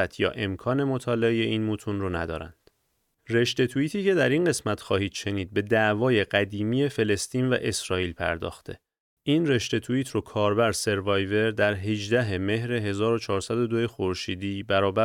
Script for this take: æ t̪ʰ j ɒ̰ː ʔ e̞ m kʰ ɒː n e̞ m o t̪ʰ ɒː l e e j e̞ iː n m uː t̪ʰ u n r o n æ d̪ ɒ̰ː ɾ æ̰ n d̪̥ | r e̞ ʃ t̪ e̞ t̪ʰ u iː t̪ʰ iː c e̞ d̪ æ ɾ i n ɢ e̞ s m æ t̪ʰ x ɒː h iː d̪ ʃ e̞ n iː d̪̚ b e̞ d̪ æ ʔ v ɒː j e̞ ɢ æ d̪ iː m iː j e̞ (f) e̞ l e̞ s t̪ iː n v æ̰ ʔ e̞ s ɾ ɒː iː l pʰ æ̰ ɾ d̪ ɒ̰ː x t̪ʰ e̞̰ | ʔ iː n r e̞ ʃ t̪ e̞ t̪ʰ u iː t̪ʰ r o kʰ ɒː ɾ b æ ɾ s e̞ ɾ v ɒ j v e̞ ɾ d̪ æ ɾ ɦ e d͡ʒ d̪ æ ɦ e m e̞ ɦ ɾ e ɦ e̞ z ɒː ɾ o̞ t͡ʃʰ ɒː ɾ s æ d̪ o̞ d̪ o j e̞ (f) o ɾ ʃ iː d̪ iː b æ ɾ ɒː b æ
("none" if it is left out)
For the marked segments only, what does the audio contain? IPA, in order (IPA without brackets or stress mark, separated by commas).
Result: f, x